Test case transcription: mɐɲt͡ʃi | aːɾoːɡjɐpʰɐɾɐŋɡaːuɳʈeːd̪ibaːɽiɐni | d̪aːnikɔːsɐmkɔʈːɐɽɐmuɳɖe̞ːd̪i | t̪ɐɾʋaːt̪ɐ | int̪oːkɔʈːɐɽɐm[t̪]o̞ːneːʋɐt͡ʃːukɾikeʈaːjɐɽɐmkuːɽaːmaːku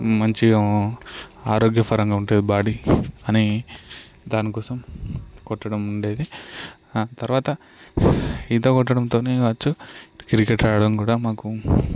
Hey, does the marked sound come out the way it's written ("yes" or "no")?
yes